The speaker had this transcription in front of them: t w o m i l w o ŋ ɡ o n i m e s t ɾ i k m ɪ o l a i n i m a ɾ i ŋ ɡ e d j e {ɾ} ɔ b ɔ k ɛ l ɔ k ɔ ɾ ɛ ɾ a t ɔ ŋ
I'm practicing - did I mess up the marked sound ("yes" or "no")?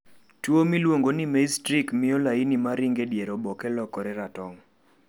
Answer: no